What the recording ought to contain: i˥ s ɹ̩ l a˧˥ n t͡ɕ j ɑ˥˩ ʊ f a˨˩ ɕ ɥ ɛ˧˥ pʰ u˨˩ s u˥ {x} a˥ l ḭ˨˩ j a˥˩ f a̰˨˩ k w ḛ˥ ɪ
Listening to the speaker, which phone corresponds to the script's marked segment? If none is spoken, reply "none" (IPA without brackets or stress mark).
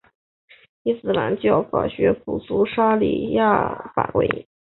ʂ